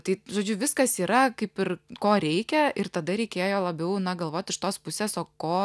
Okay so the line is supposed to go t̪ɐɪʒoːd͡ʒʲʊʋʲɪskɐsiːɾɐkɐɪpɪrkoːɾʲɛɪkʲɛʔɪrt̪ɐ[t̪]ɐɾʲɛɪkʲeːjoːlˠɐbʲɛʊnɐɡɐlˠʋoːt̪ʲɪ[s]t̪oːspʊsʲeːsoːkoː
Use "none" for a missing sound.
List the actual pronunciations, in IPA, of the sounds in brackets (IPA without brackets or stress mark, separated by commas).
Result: d̪, ʃ